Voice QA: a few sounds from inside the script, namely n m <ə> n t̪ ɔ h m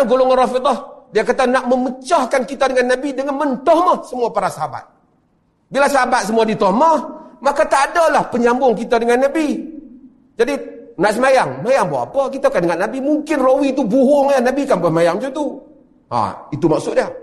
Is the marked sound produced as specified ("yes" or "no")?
yes